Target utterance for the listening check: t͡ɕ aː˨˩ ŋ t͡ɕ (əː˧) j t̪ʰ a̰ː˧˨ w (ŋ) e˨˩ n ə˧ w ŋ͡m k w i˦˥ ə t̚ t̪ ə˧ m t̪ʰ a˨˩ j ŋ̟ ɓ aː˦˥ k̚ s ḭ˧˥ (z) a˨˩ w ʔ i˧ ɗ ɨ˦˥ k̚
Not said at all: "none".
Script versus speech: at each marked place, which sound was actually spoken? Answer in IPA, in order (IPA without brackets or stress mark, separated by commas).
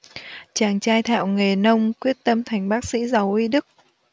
aː˧, ŋ, z